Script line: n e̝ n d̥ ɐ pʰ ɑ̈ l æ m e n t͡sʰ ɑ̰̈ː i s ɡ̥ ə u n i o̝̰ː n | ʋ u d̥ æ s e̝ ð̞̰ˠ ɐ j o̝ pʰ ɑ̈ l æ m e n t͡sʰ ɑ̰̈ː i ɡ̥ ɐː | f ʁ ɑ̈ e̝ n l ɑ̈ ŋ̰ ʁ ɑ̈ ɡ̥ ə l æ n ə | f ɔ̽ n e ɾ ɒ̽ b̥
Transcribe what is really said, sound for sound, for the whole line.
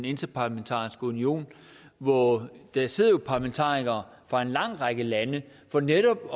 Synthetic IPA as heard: n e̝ n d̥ ɐ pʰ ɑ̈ l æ m e n t͡sʰ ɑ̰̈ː i s ɡ̥ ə u n i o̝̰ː n | ʋ ɒ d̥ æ s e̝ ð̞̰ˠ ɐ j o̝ pʰ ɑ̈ l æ m e n t͡sʰ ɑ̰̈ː i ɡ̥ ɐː | f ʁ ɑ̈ e̝ n l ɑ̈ ŋ̰ ʁ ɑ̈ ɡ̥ ə l æ n ə | f ɒ̽ n e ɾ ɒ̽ b̥